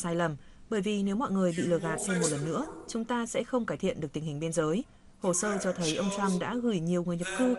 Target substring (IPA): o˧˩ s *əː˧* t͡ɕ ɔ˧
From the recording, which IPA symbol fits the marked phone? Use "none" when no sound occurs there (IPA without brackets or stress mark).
əː˧